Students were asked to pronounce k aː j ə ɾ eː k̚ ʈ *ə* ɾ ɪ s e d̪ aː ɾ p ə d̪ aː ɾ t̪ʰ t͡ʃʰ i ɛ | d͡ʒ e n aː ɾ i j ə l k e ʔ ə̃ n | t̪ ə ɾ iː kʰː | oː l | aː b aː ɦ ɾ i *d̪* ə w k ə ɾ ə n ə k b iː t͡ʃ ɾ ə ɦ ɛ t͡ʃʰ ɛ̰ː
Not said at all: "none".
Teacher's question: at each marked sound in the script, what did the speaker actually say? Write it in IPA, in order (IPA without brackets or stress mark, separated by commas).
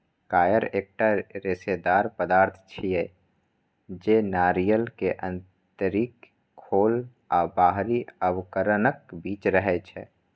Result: a, none